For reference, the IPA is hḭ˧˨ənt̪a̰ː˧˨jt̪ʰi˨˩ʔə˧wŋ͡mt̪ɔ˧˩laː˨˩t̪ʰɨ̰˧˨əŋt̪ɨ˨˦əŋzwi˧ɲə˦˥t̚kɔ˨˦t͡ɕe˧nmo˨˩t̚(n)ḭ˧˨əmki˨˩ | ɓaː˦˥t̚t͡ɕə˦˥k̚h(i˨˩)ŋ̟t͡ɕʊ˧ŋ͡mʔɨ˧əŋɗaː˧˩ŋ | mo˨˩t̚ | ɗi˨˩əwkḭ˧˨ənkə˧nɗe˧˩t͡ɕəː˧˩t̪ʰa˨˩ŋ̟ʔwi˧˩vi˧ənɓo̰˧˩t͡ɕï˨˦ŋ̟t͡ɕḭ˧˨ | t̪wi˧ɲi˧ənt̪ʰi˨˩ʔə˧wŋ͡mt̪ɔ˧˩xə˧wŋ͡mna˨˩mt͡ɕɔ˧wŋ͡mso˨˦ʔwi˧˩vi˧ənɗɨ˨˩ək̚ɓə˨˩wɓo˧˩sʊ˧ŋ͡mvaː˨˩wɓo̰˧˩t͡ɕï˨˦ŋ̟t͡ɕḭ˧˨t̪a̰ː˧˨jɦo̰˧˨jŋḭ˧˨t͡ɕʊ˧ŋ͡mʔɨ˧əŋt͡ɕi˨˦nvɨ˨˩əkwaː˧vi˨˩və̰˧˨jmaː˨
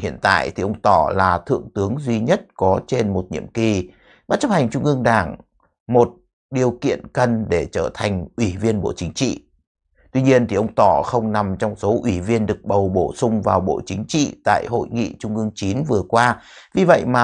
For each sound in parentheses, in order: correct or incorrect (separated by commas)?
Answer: incorrect, incorrect